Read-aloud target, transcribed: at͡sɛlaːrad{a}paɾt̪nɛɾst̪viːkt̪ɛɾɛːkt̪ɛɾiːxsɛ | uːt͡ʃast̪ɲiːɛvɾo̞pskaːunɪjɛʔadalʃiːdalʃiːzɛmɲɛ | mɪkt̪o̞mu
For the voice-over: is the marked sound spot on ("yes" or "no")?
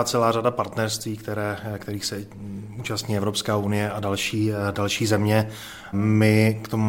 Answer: yes